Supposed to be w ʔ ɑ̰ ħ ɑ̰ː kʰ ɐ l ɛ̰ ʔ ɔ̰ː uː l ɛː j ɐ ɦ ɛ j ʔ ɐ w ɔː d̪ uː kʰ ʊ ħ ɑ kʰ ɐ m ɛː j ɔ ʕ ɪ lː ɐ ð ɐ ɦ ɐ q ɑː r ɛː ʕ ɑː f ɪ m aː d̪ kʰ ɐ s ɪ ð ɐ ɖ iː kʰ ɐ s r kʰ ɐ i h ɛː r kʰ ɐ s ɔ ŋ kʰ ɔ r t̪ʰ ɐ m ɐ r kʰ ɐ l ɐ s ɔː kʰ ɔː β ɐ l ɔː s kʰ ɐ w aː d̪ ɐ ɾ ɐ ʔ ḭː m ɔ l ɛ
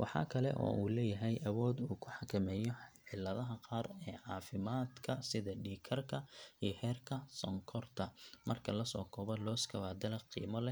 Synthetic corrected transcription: w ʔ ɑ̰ ħ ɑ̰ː kʰ ɐ l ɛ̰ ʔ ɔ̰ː uː l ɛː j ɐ ɦ ɛ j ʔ ɐ w ɔː d̪ uː kʰ ʊ ħ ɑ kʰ ɐ m ɛː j ɔ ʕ ɪ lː ɐ ð ɐ ɦ ɐ q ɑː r ɛː ʕ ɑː f ɪ m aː d̪ kʰ ɐ s ɪ ð ɐ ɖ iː kʰ ɐ r kʰ ɐ i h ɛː r kʰ ɐ s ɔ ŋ kʰ ɔ r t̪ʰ ɐ m ɐ r kʰ ɐ l ɐ s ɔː kʰ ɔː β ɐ l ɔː s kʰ ɐ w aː d̪ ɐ l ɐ q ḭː m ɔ l ɛ